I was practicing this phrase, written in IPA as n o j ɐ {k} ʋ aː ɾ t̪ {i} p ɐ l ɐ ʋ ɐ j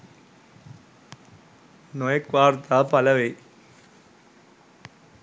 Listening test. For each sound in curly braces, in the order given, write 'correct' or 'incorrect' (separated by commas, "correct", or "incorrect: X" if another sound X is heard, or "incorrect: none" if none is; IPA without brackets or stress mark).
correct, incorrect: a